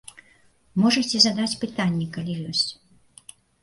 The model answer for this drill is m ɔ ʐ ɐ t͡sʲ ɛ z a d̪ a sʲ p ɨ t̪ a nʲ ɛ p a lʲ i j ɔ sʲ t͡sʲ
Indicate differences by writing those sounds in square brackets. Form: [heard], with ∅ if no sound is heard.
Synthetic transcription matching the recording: m ɔ ʐ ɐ t͡sʲ ɛ z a d̪ a [t͡sʲ] p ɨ t̪ a [nʲː] ɛ [k] a lʲ i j ɔ sʲ t͡sʲ